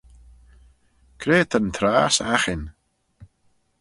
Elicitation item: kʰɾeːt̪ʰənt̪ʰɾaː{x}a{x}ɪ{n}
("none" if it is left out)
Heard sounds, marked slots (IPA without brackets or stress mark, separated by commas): s, x, n